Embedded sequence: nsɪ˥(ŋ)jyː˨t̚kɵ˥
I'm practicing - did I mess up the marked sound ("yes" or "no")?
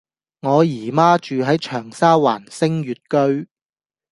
no